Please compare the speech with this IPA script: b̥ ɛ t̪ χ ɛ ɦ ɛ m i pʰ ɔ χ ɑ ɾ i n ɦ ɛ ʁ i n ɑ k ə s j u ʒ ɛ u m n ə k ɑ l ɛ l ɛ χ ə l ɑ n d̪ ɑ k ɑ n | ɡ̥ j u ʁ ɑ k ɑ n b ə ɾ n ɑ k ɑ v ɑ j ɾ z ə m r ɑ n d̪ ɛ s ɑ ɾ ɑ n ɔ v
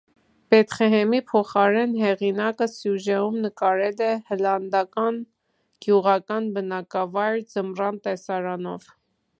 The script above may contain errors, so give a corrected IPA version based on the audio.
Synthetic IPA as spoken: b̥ ɛ t̪ χ ɛ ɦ ɛ m i pʰ ɔ χ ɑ ɾ ɛ n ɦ ɛ ʁ i n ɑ k ə s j u ʒ ɛ u m n ə k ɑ ɾ ɛ l ɛ h ə l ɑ n d̪ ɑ k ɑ n | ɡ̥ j u ʁ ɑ k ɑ n b ə n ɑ k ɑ v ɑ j ɾ d͡z ə m r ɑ n t̪ ɛ s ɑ ɾ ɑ n ɔ v